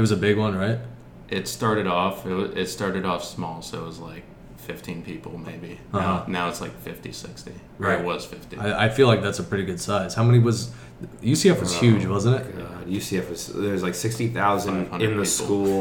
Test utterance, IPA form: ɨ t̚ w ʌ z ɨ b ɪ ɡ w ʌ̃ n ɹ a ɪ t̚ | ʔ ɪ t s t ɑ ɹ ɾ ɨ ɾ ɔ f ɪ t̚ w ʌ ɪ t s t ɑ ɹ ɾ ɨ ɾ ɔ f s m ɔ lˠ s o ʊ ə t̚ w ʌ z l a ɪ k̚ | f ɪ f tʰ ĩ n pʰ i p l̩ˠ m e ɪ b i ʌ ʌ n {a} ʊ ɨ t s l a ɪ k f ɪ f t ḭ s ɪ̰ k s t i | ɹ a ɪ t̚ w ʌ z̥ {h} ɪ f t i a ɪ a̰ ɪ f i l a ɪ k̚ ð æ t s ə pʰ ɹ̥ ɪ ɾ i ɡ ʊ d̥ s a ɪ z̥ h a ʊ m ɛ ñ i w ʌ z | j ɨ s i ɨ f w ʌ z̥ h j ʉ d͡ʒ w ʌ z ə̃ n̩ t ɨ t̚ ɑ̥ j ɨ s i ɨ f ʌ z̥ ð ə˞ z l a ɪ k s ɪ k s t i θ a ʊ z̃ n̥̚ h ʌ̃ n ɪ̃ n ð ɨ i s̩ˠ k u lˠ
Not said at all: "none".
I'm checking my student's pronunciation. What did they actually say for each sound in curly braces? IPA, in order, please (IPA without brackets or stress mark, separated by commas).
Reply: a, f